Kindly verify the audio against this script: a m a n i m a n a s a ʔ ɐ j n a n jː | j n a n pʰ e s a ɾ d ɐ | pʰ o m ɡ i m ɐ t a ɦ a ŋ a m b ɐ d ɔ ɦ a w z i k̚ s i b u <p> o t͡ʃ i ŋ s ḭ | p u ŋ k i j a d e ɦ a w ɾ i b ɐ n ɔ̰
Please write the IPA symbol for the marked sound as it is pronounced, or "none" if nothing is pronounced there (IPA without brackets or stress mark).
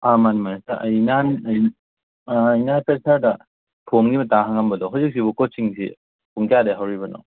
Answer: k